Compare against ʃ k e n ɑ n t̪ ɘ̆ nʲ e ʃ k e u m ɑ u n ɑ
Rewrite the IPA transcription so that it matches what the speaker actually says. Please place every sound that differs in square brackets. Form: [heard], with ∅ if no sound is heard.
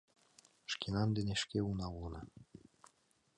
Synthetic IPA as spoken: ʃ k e n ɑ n [d̪] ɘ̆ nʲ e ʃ k e u [n] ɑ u n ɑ